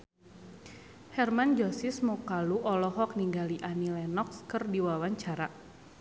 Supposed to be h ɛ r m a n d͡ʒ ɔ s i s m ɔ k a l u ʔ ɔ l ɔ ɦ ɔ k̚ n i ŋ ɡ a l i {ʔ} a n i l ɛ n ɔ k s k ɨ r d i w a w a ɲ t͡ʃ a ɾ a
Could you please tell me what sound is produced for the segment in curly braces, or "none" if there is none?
ʔ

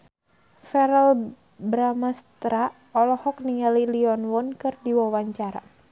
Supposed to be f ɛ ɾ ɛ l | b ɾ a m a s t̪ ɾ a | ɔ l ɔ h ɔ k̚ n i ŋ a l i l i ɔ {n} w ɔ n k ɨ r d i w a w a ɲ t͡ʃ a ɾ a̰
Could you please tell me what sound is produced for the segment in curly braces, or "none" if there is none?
n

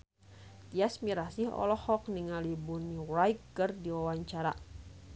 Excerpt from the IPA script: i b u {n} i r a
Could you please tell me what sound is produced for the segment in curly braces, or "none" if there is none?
n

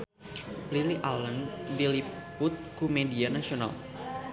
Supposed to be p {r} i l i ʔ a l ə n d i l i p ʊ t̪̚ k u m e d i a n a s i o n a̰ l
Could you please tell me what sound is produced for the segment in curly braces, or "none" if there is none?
l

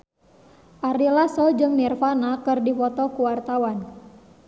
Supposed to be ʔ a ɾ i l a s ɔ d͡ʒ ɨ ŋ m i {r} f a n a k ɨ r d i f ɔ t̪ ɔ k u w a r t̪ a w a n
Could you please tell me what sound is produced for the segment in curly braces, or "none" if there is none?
r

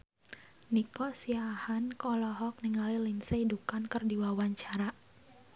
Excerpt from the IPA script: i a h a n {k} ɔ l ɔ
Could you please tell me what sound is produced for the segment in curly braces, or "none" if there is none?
k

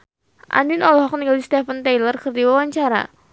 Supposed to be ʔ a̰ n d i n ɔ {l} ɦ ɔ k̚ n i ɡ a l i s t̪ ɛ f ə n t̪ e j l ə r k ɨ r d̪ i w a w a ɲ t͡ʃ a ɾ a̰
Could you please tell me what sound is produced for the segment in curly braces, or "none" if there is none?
l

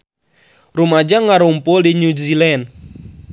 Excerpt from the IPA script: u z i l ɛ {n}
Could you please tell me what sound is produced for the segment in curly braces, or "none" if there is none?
n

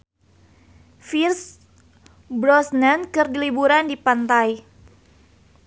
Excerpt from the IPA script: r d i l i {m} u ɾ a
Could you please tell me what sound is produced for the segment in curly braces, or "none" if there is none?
b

